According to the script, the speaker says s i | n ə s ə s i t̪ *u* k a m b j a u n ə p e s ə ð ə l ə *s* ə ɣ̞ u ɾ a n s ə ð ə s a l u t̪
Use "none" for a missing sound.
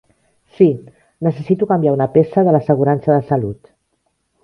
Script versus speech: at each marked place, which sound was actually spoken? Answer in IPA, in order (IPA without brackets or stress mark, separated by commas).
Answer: u, s